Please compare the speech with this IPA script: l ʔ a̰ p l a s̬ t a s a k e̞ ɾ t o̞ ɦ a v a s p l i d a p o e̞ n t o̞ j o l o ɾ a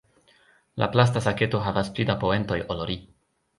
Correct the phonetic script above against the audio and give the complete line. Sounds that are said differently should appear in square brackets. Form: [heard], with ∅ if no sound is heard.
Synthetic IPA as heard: l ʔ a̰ p l a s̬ t a s a k e̞ [∅] t o̞ ɦ a v a s p l i d a p o e̞ n t o̞ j o l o ɾ [i]